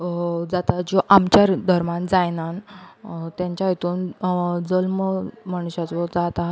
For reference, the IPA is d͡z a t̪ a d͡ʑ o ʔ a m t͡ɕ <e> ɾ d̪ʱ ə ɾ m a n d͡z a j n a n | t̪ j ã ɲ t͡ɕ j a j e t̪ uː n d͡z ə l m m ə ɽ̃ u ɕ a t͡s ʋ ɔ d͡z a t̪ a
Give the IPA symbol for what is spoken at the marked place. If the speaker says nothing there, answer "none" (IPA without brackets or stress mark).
a